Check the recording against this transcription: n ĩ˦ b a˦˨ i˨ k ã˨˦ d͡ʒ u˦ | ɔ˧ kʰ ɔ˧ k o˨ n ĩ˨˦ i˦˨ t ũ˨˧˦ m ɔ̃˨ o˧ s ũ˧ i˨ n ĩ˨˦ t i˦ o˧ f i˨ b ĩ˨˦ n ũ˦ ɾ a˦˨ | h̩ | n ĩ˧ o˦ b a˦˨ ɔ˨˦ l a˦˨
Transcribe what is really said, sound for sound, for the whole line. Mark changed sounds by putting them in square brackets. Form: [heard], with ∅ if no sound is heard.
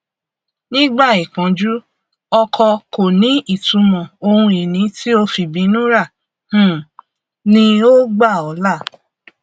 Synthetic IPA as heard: n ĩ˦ [ɡ͡b] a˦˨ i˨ k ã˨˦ d͡ʒ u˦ | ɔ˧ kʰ ɔ˧ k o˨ n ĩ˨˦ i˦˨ t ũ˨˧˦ m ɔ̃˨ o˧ [h] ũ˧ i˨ n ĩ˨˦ t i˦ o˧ f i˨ b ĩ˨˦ n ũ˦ ɾ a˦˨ | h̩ | n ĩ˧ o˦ [ɡ͡b] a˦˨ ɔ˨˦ l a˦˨